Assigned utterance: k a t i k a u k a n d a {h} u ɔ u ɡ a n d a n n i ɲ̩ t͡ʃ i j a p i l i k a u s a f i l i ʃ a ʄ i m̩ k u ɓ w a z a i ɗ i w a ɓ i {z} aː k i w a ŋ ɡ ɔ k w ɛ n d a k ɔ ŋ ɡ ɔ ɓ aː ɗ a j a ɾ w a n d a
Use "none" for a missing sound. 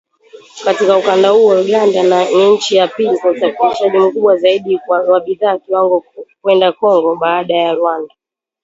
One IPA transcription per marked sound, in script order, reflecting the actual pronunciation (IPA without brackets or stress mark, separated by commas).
h, ð